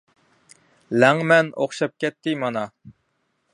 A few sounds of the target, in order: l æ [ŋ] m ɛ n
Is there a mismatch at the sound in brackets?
no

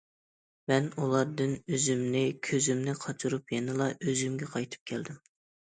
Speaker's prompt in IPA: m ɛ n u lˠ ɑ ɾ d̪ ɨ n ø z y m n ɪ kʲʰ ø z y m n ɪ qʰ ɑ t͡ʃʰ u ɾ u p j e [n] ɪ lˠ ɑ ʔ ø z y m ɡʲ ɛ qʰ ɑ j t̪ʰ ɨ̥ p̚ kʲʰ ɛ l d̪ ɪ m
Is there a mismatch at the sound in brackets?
no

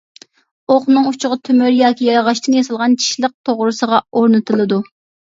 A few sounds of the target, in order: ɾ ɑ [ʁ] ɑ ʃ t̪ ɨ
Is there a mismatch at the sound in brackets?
no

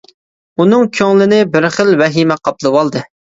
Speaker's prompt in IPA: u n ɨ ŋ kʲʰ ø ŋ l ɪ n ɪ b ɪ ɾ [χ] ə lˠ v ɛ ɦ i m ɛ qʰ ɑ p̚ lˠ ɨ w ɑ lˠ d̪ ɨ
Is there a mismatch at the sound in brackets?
no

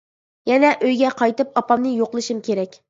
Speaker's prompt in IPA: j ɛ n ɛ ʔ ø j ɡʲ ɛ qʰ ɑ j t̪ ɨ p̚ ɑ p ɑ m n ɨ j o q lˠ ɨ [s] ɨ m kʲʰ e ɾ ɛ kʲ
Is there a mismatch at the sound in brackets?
yes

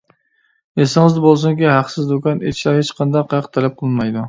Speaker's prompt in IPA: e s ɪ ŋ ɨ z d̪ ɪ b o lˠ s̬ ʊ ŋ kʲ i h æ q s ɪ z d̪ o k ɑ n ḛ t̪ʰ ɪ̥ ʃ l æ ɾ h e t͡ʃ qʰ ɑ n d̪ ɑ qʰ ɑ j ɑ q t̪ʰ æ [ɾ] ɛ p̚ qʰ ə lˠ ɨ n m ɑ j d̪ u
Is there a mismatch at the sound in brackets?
yes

